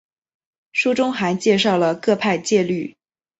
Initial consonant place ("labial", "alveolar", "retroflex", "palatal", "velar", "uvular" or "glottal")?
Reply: retroflex